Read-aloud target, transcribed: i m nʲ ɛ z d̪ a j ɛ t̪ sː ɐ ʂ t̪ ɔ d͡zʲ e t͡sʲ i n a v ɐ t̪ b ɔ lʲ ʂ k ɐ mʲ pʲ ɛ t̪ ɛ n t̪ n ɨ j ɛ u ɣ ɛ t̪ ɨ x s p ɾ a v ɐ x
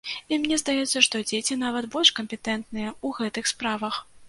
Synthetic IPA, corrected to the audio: i m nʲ ɛ z d̪ a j ɛ t̪ sː ɐ ʂ t̪ ɔ d͡zʲ e t͡sʲ i n a v ɐ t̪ b ɔ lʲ ʂ k ɐ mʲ pʲ ɛ t̪ ɛ n t̪ n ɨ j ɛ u ɣ ɛ t̪ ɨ x s p ɾ a v ɐ x